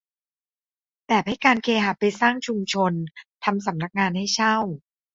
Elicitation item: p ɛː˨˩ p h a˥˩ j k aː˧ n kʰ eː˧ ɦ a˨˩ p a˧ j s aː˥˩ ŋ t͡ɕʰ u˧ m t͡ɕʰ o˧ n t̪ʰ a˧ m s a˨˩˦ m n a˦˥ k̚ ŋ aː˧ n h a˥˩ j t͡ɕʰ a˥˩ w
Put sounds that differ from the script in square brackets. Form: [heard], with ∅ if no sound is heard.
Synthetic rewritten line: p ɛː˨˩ p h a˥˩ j k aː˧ n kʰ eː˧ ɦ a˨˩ p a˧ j s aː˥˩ ŋ t͡ɕʰ u˧ m t͡ɕʰ o˧ n t̪ʰ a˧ m s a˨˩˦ m n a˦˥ k̚ ŋ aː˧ n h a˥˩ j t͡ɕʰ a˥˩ w